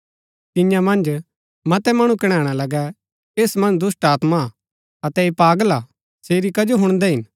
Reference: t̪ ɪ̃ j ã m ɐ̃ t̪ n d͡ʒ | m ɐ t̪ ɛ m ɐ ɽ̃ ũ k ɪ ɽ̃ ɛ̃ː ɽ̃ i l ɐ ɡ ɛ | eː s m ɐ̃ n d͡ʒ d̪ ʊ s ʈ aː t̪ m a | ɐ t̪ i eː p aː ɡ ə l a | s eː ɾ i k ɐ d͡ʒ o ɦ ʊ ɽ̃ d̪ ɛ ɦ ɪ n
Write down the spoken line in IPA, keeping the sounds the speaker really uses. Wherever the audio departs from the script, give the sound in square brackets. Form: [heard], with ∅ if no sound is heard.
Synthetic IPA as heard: t̪ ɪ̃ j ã m ɐ̃ [∅] n d͡ʒ | m ɐ t̪ ɛ m ɐ ɽ̃ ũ k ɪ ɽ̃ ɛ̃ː ɽ̃ [a] l ɐ ɡ ɛ | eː s m ɐ̃ n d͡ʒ d̪ ʊ s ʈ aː t̪ m a | ɐ t̪ [ɛ] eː p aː ɡ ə l a | s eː ɾ i k ɐ d͡ʒ o ɦ ʊ ɽ̃ d̪ ɛ ɦ ɪ n